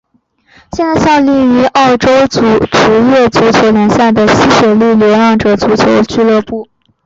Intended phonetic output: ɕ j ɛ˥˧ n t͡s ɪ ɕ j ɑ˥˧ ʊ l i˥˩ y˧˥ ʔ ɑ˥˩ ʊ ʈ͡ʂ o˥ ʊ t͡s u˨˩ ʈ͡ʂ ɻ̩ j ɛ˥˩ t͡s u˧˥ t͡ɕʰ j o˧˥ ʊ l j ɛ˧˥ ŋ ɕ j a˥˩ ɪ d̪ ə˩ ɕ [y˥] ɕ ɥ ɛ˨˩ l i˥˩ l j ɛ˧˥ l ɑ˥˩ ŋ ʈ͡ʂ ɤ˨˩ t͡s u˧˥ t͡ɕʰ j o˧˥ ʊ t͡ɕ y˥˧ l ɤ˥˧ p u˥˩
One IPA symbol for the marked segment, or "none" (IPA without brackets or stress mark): i˥